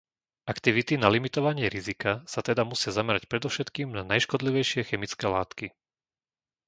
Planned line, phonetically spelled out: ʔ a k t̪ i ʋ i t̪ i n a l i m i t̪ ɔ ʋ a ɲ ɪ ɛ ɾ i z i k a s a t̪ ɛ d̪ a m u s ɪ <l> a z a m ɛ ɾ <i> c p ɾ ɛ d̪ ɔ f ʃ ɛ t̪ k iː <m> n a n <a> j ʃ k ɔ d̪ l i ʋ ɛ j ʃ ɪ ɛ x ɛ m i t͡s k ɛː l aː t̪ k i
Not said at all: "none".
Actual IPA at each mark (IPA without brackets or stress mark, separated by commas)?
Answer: none, a, m, a